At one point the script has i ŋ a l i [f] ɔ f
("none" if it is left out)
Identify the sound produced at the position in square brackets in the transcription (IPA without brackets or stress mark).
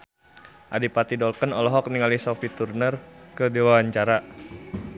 s